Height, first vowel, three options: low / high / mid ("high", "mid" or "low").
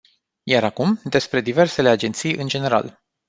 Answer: low